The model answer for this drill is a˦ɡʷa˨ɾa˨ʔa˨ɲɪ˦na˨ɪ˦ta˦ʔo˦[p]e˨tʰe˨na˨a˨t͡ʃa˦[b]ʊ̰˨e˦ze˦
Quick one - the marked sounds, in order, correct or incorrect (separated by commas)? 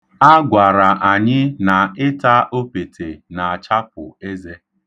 correct, incorrect